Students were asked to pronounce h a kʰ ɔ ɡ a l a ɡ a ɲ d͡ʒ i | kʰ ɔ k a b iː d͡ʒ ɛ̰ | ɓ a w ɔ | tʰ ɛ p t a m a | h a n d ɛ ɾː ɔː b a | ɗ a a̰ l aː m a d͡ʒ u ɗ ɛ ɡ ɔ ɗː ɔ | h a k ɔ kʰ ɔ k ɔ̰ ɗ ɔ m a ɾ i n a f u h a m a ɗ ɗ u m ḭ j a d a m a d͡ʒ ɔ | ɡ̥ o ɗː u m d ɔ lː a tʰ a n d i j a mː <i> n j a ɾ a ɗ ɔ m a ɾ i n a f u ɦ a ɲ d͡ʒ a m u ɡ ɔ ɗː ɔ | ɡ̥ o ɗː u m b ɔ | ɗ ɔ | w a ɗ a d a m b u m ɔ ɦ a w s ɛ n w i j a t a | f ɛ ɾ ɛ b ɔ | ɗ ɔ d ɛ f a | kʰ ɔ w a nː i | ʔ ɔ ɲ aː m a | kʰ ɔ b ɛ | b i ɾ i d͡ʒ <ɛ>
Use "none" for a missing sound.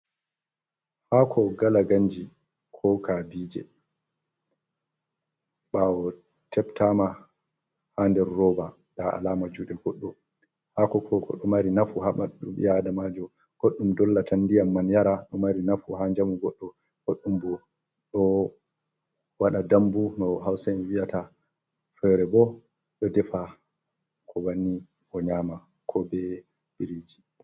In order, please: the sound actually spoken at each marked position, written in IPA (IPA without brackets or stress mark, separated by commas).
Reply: a, i